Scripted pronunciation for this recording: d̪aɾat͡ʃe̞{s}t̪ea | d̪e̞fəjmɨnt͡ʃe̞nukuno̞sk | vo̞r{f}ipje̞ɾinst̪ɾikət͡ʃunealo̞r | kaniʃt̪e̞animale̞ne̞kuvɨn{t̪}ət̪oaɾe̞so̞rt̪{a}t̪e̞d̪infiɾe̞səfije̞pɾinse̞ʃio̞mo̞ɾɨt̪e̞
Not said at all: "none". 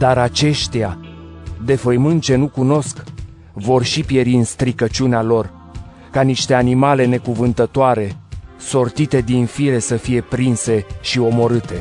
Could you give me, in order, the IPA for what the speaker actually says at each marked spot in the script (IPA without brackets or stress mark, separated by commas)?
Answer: ʃ, ʃ, t̪, i